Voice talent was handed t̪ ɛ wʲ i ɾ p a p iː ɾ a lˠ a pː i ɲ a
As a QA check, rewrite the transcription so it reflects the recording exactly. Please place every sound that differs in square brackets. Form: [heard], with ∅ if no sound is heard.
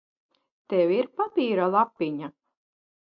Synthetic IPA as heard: t̪ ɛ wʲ i ɾ p a p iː ɾ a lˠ a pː i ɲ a